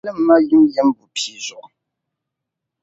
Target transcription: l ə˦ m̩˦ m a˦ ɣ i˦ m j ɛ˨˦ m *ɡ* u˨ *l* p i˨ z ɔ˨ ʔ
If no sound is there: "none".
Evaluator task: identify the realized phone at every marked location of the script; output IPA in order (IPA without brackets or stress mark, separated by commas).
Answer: b, none